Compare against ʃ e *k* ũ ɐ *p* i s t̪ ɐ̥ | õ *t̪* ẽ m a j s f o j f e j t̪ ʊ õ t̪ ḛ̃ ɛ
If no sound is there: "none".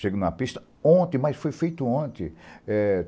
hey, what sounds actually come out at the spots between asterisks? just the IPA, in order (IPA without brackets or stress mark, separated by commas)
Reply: ɡ, p, t̪